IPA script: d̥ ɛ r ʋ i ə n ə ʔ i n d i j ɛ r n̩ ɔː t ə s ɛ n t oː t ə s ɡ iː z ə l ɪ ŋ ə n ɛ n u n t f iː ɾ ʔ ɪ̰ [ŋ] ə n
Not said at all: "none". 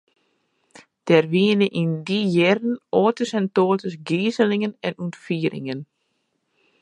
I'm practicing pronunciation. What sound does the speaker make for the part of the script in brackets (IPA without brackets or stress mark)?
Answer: ŋ